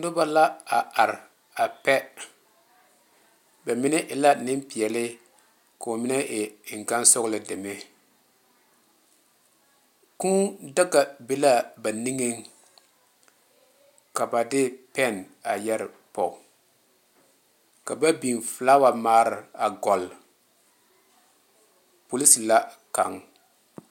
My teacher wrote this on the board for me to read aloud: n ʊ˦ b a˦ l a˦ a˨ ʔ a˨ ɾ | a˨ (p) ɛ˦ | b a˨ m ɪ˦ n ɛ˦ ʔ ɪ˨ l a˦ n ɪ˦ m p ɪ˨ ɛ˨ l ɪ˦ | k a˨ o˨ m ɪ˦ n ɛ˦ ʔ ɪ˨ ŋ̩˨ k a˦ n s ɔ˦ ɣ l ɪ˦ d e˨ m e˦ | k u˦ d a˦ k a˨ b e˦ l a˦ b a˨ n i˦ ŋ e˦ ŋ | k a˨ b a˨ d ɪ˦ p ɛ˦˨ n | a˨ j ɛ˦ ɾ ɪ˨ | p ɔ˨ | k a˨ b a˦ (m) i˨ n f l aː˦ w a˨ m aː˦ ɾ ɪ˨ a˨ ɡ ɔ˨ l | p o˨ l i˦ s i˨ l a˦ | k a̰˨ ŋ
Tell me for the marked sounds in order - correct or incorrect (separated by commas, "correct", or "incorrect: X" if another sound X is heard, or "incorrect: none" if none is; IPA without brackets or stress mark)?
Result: correct, incorrect: b